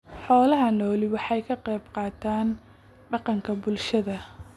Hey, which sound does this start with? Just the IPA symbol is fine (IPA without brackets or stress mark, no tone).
ħ